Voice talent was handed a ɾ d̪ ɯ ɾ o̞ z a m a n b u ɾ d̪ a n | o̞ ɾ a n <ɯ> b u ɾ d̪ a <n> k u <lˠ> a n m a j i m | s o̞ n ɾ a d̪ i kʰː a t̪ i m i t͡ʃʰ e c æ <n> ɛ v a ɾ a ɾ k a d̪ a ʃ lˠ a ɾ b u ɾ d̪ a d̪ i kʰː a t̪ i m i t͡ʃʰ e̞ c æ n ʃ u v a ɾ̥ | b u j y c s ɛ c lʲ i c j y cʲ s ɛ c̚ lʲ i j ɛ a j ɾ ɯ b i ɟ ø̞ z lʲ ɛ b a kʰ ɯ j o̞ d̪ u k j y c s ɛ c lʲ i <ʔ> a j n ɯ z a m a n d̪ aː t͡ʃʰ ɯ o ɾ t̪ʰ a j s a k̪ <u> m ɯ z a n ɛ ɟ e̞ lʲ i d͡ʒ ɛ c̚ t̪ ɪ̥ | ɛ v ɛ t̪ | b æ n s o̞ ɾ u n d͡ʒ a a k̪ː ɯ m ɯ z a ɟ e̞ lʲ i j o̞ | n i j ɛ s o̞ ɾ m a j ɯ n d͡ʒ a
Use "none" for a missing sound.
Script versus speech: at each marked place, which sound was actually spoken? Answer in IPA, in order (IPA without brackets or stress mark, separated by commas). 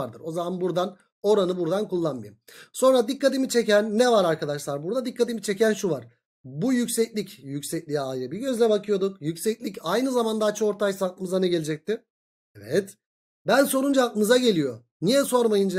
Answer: ɯ, n, lˠː, nː, c, ɯ